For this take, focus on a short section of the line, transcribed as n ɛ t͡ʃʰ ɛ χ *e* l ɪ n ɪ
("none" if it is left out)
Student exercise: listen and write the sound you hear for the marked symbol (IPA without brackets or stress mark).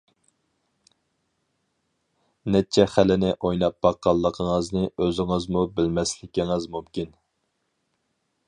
æ